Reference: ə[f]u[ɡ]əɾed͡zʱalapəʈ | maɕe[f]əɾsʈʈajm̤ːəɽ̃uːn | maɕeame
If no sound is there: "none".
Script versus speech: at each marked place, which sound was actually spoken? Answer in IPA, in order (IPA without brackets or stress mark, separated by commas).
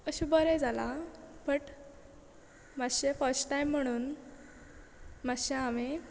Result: ɕ, b, f